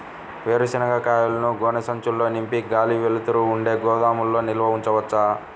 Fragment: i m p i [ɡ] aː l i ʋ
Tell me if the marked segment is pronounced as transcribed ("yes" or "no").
yes